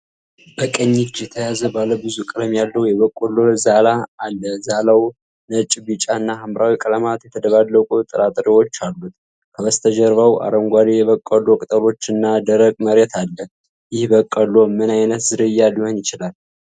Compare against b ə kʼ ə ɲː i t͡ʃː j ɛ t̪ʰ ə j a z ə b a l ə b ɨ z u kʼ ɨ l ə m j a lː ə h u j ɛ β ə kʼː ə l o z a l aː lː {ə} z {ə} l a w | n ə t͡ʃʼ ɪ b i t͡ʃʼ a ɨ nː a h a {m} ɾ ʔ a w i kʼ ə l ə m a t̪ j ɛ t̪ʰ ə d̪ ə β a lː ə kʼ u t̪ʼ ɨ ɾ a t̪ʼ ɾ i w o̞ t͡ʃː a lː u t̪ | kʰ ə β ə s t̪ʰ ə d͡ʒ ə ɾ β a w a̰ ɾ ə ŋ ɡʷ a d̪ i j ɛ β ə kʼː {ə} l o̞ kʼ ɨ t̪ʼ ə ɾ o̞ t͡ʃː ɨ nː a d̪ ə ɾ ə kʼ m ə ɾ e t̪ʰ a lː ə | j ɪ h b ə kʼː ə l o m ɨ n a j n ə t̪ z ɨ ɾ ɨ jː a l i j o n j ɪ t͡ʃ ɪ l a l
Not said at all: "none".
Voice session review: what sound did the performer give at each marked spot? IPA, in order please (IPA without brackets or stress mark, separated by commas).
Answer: ə, a, m, ə